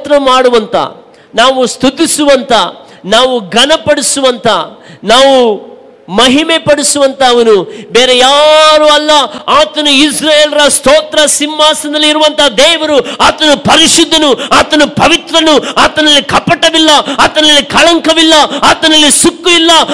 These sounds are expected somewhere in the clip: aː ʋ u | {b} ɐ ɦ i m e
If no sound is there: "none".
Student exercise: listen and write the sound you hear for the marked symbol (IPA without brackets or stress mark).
m